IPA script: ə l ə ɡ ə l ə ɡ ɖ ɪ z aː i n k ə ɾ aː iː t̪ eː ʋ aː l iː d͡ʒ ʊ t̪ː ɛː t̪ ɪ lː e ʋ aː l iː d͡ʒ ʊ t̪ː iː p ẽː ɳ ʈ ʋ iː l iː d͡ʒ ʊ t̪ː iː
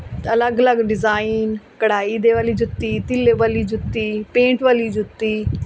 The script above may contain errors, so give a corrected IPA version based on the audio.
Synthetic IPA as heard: ə l ə ɡ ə l ə ɡ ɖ ɪ z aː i n k ə ɽ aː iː d̪ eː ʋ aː l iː d͡ʒ ʊ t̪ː iː t̪ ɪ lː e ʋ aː l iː d͡ʒ ʊ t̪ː iː p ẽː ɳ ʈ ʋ aː l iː d͡ʒ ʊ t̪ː iː